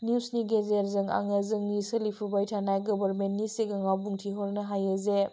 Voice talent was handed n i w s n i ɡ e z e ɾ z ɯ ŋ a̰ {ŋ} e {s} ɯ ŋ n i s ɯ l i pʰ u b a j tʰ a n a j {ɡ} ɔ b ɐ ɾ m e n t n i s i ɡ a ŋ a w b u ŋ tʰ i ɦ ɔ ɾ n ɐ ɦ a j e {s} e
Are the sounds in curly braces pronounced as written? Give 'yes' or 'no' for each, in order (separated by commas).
yes, no, yes, no